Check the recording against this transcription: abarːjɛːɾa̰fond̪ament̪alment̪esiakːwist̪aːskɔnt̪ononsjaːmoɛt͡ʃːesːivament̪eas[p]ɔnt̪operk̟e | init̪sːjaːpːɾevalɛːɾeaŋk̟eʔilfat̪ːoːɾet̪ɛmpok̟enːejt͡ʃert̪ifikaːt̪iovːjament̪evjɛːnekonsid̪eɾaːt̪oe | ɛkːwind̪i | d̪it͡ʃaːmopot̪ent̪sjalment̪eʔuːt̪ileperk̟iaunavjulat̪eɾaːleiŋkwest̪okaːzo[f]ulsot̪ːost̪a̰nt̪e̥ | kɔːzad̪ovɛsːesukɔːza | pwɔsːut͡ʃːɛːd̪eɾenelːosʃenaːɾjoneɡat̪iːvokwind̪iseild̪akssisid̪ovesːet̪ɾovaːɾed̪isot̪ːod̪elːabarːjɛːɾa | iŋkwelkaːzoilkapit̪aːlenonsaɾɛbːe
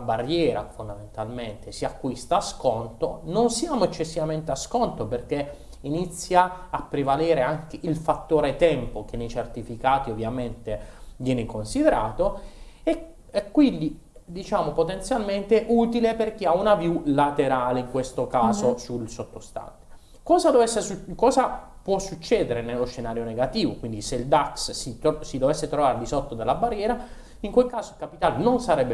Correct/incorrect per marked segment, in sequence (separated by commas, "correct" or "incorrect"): incorrect, incorrect